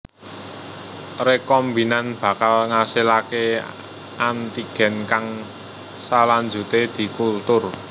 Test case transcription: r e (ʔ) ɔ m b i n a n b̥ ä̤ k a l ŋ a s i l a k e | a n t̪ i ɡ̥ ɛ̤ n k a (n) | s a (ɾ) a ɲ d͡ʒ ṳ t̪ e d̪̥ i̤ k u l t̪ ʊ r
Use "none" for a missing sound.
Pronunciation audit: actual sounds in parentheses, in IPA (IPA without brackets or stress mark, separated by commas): k, ŋ, l